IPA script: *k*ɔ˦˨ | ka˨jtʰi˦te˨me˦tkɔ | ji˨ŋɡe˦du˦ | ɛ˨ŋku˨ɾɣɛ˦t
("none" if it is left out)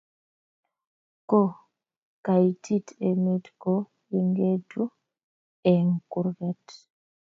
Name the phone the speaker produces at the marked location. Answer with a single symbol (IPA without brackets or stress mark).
k